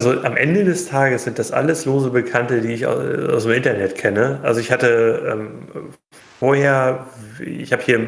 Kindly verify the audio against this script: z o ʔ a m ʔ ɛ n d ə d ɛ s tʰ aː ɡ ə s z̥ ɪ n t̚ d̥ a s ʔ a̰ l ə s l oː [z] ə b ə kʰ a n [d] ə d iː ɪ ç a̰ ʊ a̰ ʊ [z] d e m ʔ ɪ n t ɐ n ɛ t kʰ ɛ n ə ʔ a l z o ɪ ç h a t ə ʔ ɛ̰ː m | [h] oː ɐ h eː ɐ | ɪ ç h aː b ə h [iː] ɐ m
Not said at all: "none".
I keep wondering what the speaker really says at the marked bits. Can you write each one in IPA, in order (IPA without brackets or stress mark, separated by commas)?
z, t, s, f, iː